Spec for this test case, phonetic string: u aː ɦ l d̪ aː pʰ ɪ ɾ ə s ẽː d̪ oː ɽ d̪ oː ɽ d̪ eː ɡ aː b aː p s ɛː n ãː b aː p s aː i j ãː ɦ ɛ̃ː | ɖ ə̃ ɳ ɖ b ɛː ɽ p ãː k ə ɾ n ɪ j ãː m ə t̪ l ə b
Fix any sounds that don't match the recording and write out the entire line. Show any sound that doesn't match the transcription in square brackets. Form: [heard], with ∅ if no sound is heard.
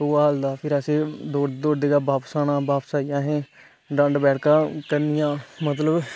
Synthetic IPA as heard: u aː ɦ l d̪ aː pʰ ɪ ɾ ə s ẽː d̪ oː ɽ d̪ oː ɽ d̪ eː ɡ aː b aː p s [aː] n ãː b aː p s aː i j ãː ɦ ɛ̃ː | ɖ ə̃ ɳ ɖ b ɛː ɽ [k] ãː k ə ɾ n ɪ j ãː m ə t̪ l ə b